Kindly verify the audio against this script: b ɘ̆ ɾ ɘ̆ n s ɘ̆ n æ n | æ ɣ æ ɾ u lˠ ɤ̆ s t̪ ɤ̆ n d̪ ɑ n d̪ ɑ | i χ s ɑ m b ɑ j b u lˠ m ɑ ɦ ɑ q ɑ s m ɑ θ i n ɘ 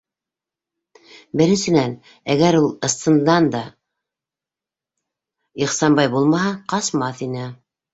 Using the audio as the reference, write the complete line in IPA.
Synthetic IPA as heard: b ɘ̆ ɾ ɘ̆ n s ɘ̆ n æ n | æ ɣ æ ɾ u lˠ ɤ̆ s t̪ ɤ̆ n d̪ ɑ n d̪ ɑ | i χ s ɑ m b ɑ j b u lˠ m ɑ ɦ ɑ q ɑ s m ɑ θ i n ɘ